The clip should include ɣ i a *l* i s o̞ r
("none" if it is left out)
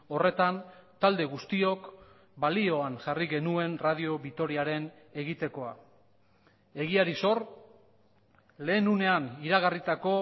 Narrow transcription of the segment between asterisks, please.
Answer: ɾ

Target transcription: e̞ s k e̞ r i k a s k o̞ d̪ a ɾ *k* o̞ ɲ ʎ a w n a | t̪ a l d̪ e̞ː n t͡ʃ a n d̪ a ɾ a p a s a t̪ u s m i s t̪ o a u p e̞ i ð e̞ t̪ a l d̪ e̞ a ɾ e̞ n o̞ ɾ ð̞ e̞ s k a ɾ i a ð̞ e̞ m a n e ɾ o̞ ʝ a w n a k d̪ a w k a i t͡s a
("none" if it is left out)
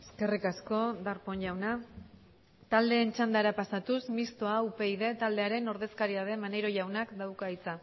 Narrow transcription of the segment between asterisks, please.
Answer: p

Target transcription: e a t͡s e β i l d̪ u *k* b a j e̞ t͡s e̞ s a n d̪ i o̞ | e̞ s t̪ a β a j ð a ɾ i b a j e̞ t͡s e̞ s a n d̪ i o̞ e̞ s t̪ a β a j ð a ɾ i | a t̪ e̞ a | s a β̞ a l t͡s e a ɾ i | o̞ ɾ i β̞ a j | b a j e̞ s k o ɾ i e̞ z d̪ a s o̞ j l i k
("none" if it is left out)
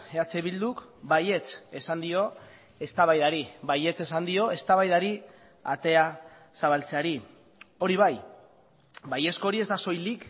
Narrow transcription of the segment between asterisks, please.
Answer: k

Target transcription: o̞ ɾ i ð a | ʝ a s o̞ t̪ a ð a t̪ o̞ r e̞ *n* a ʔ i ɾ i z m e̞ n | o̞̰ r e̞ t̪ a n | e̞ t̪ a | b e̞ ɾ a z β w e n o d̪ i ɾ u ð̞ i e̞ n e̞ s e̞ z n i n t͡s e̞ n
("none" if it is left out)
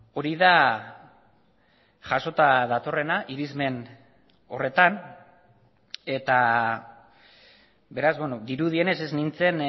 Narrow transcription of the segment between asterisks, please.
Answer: n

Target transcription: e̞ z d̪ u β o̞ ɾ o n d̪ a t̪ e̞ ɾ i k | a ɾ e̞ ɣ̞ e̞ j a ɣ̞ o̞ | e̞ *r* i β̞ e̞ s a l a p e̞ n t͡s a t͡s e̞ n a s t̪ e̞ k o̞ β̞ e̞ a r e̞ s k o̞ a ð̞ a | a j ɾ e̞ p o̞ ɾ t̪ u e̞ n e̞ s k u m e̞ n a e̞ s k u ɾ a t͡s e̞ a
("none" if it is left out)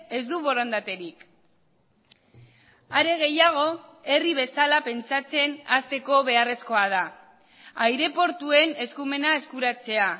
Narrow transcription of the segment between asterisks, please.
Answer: r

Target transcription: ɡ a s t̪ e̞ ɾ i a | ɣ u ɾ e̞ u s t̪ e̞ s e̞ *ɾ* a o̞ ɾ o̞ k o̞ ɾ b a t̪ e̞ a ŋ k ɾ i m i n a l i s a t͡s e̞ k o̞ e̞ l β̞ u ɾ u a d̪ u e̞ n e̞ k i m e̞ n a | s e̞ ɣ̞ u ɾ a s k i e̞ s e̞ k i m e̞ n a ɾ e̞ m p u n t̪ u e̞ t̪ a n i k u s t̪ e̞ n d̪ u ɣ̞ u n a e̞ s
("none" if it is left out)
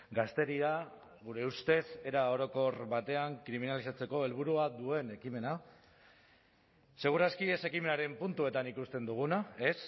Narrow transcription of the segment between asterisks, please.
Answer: ɾ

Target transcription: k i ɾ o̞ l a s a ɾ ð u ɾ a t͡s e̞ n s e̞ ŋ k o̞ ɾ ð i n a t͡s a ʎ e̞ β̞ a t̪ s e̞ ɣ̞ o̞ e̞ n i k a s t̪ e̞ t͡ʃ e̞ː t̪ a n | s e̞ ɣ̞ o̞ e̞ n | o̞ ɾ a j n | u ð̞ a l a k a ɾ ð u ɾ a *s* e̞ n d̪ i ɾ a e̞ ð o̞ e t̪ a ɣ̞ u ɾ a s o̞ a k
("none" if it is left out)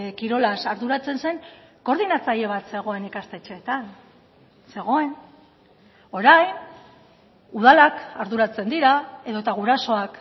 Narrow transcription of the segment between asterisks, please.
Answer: t͡s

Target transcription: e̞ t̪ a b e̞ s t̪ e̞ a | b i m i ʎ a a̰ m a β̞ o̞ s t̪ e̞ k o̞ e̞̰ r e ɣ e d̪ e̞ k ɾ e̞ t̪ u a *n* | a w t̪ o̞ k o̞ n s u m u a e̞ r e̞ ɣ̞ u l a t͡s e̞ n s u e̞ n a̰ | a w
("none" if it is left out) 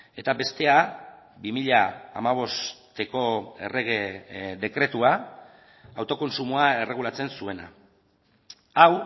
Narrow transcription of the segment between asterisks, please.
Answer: none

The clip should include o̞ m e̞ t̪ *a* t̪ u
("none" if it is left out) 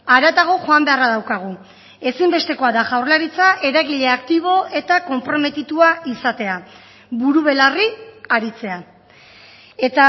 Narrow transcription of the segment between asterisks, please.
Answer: i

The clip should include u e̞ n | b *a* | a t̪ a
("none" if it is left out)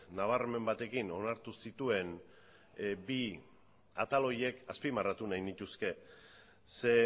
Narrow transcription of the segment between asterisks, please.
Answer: i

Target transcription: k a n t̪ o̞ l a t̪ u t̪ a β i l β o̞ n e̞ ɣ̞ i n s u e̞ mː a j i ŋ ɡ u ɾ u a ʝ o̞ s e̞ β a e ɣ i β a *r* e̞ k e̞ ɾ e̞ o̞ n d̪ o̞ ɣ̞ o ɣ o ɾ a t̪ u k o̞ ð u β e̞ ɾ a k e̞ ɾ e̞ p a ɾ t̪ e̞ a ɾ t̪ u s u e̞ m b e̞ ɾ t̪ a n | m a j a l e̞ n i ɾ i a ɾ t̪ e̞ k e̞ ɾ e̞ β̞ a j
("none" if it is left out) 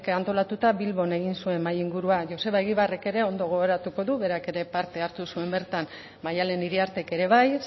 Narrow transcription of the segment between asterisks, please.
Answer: r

